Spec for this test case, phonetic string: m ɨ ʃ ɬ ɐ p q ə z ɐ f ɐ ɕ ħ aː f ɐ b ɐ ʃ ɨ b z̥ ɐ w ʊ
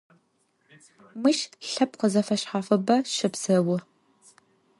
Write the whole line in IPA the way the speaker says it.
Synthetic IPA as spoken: m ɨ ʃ ɬ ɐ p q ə z ɐ f ɐ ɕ ħ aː f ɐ b ɐ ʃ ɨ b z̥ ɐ w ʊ